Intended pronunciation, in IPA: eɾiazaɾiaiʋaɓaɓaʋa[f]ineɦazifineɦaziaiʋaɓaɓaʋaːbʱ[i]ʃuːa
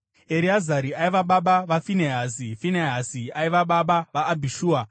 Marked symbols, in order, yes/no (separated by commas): yes, yes